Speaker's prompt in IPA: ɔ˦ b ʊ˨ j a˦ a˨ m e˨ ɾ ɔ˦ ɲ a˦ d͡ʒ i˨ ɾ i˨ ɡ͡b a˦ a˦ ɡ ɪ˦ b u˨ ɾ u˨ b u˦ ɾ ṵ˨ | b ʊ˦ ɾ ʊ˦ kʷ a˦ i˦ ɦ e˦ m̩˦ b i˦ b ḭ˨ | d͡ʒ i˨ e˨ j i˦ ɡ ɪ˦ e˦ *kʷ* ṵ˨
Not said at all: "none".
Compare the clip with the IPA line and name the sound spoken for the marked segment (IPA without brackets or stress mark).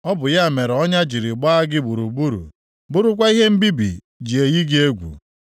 ɡʷ